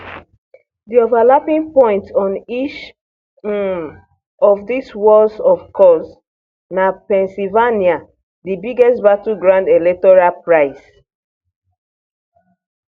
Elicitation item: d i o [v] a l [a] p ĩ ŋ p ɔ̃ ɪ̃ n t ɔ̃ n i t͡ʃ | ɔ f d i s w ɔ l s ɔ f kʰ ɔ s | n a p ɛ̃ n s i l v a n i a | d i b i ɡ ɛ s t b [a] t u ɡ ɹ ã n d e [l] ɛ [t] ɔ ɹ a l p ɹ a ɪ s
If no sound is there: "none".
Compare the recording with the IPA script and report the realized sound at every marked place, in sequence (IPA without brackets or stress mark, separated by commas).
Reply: v, a, a, l, t